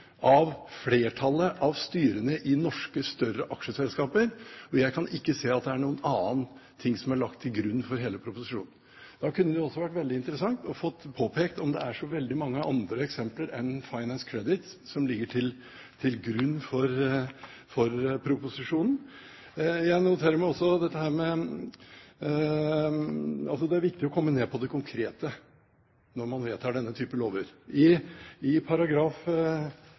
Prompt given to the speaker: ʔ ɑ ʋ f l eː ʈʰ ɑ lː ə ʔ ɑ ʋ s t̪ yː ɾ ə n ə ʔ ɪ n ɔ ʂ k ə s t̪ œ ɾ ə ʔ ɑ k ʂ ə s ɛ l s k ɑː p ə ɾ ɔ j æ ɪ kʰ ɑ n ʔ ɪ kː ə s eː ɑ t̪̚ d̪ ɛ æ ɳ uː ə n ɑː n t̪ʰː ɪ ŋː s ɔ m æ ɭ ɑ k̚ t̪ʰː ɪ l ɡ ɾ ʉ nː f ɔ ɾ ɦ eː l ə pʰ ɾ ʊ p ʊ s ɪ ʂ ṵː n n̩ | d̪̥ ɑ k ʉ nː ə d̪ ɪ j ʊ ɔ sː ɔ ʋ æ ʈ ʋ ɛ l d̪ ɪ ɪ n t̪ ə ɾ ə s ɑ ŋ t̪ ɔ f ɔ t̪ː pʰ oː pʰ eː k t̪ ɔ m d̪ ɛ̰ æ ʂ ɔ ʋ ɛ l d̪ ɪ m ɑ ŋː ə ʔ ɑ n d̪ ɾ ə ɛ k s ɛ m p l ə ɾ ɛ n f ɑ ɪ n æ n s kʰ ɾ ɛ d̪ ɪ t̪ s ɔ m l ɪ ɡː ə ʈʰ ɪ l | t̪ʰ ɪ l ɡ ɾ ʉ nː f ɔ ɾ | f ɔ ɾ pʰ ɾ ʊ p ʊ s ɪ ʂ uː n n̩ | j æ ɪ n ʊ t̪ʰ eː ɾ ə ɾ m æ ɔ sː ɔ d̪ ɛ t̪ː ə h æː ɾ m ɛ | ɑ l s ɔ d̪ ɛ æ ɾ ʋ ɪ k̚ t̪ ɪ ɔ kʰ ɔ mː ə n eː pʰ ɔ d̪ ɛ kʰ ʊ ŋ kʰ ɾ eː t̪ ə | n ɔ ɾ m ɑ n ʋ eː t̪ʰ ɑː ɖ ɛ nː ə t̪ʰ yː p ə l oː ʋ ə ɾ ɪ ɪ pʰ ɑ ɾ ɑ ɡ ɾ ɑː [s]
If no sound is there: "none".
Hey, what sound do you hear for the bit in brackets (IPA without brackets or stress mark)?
f